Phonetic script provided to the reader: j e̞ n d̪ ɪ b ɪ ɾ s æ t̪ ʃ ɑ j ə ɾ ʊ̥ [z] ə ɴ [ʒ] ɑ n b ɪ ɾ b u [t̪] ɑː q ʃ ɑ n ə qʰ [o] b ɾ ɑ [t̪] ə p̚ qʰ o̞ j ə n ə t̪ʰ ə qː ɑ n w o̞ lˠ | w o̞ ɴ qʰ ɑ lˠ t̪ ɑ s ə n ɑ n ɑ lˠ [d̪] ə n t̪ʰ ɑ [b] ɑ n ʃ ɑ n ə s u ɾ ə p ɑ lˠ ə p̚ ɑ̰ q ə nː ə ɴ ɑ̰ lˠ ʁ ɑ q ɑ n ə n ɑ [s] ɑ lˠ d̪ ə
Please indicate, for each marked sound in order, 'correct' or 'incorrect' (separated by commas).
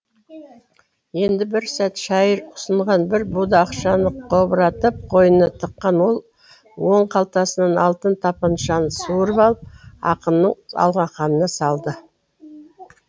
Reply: incorrect, incorrect, incorrect, correct, correct, incorrect, incorrect, correct